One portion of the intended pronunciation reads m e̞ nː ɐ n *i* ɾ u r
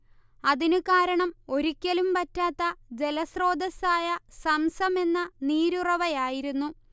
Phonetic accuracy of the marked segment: incorrect: iː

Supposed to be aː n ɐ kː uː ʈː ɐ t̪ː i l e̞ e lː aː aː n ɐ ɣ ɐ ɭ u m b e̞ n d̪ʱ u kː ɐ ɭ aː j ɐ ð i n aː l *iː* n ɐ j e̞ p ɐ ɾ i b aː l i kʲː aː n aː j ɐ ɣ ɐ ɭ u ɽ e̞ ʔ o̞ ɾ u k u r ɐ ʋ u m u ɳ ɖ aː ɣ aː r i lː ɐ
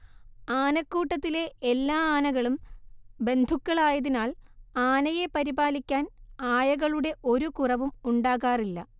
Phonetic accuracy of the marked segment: incorrect: aː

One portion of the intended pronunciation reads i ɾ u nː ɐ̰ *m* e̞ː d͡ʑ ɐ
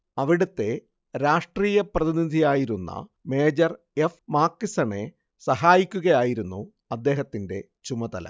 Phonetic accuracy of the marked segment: correct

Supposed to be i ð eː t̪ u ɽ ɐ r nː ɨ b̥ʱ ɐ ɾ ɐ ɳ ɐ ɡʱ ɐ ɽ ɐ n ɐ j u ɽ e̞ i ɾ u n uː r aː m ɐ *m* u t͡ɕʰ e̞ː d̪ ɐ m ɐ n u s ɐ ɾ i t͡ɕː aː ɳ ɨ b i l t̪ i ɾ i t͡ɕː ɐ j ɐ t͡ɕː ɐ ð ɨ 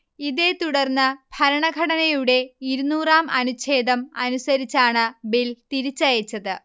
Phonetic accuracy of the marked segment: incorrect: n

